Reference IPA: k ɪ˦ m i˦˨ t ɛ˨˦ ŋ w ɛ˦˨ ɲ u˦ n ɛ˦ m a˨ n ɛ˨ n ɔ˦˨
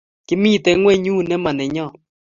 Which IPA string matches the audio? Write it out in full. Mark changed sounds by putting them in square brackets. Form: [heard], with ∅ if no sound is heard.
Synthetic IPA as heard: k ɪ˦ m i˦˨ t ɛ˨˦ ŋ w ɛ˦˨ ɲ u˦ n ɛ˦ m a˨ n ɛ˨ [ɲ] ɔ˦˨